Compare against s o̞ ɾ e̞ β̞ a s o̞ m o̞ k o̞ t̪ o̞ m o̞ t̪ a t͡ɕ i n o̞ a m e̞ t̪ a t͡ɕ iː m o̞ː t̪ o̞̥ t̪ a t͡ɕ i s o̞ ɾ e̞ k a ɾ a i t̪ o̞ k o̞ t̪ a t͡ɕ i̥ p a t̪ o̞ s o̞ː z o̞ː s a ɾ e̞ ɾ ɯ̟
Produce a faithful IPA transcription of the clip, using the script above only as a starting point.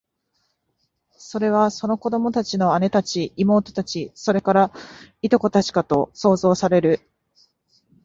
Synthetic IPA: s o̞ ɾ e̞ β̞ a s o̞ n o̞ k o̞ d̪ o̞ m o̞ t̪ a t͡ɕ i n o̞ a n e̞ t̪ a t͡ɕ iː m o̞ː t̪ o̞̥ t̪ a t͡ɕ i s o̞ ɾ e̞ k a ɾ a i t̪ o̞ k o̞ t̪ a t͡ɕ i̥ k a t̪ o̞ s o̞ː z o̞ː s a ɾ e̞ ɾ ɯ̟